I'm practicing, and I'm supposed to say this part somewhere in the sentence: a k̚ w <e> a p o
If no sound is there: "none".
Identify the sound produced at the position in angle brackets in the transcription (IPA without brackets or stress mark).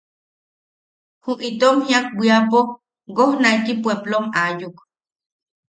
i